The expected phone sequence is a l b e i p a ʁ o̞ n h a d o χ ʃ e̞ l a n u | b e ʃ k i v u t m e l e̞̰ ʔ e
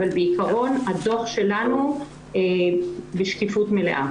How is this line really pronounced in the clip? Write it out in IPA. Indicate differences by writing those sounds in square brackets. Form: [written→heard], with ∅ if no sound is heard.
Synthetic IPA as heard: a l b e i [p→k] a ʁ o̞ n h a d o χ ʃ e̞ l a n u | b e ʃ k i [v→f] u t m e l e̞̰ ʔ [e→a]